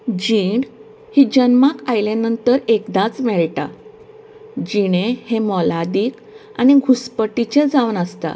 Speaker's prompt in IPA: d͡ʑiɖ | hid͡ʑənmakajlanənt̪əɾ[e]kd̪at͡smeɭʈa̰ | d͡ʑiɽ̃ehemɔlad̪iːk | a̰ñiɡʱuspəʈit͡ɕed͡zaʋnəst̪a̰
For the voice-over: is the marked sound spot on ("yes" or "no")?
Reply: yes